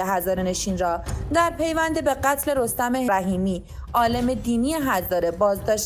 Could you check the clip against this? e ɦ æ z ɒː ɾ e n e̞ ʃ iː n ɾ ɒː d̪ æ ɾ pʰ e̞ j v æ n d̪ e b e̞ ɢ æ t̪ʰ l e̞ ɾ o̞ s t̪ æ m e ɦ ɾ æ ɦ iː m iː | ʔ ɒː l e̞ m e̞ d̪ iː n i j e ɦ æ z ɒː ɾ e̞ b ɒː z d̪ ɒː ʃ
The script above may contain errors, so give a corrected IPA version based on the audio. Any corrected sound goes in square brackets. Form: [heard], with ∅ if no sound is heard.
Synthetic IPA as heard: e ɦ æ z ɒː ɾ e n e̞ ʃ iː n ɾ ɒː d̪ æ ɾ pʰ e̞ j v æ n d̪ e b e̞ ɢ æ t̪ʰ l e̞ ɾ o̞ s t̪ æ m e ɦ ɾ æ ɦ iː m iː | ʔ ɒː l e̞ m e̞ d̪ iː n i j e ɦ æ z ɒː ɾ e̞ b ɒː z d̪ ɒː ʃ